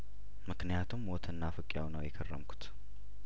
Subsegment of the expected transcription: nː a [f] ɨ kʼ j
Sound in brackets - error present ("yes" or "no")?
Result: no